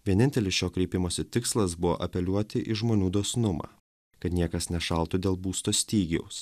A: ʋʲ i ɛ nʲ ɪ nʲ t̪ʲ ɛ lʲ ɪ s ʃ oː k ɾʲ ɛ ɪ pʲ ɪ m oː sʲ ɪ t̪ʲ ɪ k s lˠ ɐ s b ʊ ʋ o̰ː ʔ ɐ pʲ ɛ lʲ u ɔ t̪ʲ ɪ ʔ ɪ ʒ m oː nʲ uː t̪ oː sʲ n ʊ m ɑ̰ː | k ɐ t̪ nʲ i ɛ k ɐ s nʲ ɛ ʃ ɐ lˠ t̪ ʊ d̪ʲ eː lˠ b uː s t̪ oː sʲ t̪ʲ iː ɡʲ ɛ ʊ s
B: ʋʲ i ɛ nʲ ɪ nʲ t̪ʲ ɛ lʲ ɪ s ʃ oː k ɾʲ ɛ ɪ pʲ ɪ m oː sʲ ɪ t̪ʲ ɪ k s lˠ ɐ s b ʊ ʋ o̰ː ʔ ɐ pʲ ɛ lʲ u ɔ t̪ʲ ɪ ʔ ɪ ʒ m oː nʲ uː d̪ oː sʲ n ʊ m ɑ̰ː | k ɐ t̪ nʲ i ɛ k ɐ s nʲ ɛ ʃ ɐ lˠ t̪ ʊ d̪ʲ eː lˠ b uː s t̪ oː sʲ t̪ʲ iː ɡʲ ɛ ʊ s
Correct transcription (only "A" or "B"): B